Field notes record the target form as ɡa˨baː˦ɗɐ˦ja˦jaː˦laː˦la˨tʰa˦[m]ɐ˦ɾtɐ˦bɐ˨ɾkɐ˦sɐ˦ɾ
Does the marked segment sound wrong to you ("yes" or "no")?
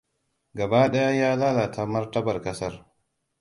no